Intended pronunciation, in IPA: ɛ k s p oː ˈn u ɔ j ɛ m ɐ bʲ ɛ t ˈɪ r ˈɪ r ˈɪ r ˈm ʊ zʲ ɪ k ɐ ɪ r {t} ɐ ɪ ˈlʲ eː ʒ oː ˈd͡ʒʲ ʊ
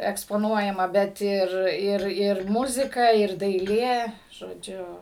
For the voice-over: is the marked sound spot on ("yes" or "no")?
no